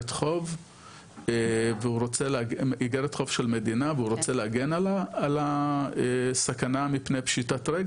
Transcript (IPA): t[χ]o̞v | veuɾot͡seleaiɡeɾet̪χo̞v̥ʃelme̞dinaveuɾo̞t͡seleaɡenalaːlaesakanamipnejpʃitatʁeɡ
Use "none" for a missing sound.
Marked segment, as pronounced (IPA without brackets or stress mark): χ